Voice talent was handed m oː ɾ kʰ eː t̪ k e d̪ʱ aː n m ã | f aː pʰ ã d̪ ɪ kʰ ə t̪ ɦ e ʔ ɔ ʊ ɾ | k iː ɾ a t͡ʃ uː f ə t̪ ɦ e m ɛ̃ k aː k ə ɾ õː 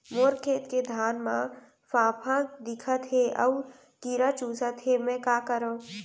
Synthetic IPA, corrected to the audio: m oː ɾ kʰ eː t̪ k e d̪ʱ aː n m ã | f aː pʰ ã d̪ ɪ kʰ ə t̪ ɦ e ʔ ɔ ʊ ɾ | k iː ɾ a t͡ʃ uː s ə t̪ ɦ e m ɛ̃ k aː k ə ɾ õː